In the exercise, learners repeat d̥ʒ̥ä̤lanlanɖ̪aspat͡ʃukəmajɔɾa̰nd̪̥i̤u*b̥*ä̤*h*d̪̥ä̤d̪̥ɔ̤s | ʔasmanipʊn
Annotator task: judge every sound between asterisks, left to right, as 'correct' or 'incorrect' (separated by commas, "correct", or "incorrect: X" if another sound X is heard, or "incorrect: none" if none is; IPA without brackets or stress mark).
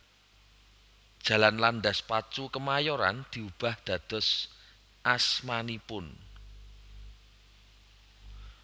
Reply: correct, correct